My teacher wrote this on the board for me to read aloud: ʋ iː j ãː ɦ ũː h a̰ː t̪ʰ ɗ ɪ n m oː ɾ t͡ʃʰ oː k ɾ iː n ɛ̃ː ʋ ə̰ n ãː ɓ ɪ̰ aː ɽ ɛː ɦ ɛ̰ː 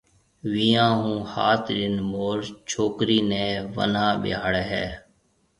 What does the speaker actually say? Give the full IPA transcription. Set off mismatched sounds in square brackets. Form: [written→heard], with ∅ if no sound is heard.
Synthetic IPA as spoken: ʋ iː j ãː ɦ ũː h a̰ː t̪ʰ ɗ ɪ n m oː ɾ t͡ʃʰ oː k ɾ iː n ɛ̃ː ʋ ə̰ n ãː ɓ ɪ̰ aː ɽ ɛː ɦ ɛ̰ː